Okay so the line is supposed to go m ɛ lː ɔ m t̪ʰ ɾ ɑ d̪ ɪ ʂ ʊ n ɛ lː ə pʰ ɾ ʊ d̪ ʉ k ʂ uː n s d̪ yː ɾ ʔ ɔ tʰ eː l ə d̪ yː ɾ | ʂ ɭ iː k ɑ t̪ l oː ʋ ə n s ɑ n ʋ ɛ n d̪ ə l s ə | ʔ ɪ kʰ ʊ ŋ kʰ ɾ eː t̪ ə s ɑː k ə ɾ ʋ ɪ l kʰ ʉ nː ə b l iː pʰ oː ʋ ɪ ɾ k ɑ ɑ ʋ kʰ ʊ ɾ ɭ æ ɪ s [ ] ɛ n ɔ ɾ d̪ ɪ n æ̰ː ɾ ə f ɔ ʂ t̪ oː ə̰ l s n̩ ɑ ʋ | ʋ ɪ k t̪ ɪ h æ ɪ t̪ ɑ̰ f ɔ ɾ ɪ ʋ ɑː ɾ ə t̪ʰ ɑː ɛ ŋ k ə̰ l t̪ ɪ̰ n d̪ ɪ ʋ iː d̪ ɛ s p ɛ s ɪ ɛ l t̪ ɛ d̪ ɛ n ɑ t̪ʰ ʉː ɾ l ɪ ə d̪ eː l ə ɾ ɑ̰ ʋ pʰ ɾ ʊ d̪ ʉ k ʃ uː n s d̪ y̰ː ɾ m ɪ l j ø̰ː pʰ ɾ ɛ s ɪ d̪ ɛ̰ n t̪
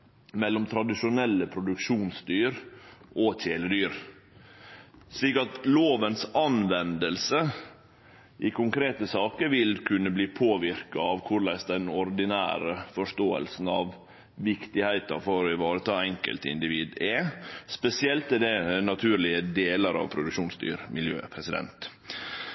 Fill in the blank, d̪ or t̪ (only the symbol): d̪